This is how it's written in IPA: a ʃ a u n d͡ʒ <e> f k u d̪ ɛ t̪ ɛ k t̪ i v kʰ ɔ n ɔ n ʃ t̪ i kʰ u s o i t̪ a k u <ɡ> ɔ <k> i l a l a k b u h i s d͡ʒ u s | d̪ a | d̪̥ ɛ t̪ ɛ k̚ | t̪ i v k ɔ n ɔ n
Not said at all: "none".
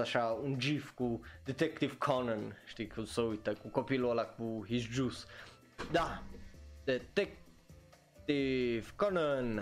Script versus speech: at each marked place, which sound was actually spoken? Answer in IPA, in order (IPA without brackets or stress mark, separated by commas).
i, k, p